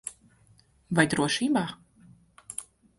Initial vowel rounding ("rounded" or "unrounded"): unrounded